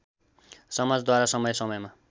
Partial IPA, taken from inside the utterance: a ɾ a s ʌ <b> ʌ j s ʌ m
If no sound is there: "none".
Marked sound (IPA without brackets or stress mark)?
m